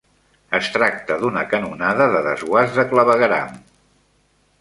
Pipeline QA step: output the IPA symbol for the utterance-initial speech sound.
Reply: ə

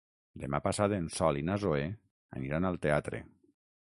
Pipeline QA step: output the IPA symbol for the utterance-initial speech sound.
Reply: d̪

